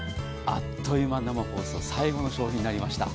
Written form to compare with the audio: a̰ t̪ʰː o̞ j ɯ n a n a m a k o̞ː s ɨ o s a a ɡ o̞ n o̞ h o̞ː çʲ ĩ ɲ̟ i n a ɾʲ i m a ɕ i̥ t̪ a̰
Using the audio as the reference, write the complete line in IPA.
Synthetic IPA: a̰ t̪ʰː o̞ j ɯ m a n a m a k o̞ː s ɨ o s a i ɡ o̞ n o̞ ɕ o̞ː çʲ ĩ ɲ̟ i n a ɾʲ i m a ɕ i̥ t̪ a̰